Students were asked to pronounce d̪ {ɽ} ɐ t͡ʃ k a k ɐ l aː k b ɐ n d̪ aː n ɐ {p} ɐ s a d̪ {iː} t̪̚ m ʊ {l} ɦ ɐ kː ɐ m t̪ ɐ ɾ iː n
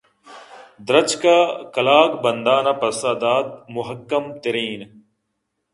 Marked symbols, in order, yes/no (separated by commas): no, yes, no, no